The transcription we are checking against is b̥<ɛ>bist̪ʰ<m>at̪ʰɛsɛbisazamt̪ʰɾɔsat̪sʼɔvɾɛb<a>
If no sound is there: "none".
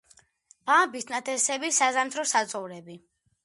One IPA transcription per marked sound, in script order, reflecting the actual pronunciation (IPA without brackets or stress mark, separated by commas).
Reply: a, n, i